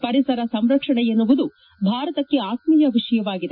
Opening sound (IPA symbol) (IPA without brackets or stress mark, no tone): p